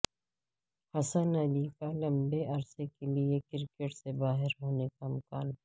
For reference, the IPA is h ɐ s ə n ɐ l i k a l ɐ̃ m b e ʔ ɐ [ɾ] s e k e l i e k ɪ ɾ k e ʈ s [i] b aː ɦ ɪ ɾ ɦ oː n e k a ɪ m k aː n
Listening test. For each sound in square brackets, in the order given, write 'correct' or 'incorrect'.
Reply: correct, incorrect: e

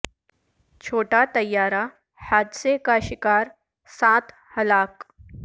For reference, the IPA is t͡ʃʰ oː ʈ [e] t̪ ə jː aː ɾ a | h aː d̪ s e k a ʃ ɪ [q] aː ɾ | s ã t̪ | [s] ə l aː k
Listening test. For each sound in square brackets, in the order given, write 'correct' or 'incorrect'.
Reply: incorrect: a, incorrect: k, incorrect: h

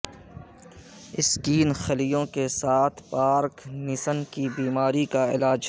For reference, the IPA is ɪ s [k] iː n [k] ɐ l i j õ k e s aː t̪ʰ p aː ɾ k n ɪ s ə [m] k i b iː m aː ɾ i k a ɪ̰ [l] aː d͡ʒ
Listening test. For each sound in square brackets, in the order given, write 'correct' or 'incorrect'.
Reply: correct, incorrect: x, incorrect: n, correct

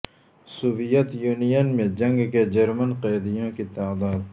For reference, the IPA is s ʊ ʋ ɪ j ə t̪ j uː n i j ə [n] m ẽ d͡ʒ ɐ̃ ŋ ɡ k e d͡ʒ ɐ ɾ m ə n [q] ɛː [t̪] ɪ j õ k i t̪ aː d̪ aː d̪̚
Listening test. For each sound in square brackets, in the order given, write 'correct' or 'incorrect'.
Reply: correct, correct, incorrect: d̪

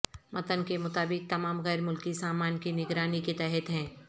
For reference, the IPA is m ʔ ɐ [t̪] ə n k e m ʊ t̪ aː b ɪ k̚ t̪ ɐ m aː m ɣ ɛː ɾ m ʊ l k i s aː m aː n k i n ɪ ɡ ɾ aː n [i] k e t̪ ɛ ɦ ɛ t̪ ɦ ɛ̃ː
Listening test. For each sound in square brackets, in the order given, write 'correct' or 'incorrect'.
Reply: correct, correct

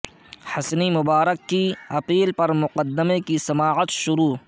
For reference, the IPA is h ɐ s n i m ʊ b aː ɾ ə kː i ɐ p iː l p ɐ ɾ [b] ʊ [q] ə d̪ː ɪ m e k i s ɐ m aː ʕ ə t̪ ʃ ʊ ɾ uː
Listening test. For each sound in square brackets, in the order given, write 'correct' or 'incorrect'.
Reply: incorrect: m, correct

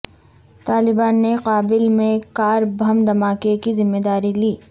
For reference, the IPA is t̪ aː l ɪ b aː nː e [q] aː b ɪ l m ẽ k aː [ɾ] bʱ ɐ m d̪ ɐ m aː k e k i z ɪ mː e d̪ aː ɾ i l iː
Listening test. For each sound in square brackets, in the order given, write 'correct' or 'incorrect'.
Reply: correct, correct

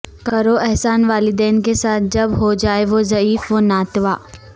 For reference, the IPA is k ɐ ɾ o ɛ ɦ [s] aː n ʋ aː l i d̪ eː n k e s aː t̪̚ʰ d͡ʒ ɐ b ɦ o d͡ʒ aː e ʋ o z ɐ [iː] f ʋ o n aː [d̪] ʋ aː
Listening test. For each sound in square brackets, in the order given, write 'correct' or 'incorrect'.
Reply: correct, correct, incorrect: t̪

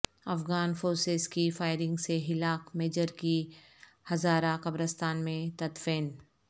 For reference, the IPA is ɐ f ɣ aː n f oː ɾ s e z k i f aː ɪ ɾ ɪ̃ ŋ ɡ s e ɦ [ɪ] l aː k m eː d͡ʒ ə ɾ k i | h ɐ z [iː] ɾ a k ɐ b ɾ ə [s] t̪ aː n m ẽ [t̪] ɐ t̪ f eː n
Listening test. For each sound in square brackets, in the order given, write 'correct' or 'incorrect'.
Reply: correct, incorrect: aː, correct, correct

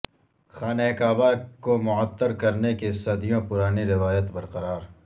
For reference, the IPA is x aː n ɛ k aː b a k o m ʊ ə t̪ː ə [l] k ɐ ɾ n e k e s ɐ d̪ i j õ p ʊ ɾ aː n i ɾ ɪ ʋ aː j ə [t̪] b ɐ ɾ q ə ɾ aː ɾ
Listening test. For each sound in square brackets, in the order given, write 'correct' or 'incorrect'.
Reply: incorrect: ɾ, correct

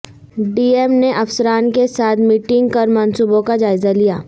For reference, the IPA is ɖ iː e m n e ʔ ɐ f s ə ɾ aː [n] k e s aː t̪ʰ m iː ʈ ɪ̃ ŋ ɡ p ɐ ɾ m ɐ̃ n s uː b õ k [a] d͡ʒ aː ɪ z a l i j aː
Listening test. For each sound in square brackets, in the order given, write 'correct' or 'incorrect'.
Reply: correct, correct

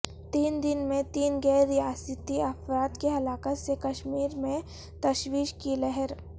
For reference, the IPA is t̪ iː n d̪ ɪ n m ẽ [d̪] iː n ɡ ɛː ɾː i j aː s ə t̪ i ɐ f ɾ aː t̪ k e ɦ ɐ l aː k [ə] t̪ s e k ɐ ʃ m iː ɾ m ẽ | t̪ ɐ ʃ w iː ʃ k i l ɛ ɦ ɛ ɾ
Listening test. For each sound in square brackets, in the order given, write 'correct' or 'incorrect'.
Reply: incorrect: t̪, correct

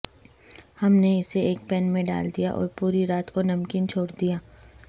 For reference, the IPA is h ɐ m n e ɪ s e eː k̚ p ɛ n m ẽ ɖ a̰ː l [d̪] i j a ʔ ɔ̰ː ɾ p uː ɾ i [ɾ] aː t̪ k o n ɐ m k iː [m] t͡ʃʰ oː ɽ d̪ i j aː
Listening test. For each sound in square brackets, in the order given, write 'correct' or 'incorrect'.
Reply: correct, correct, incorrect: n

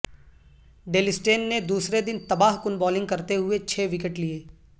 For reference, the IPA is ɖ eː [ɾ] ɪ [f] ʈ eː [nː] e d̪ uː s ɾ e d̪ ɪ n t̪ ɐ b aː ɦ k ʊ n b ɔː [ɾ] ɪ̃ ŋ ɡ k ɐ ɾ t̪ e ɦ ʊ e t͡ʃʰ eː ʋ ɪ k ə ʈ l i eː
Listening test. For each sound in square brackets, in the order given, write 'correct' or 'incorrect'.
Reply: incorrect: l, incorrect: s, correct, incorrect: l

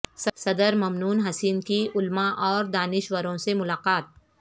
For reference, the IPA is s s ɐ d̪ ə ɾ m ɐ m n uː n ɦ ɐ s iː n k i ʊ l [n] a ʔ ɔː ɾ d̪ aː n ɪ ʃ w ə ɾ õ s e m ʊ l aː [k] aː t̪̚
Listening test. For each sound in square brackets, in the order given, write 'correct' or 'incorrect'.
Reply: incorrect: m, incorrect: q

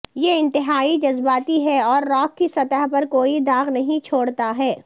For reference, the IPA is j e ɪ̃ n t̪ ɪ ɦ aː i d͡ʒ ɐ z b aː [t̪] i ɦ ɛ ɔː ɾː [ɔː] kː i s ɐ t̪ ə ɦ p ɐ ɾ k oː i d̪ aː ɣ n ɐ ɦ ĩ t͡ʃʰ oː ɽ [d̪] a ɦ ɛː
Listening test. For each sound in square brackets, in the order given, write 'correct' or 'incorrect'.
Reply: correct, correct, incorrect: t̪

